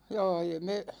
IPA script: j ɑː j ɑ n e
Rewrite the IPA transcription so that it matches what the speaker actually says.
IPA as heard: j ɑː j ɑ m e